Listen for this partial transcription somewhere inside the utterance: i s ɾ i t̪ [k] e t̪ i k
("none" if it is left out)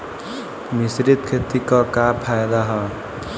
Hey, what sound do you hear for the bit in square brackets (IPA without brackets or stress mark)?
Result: kʰ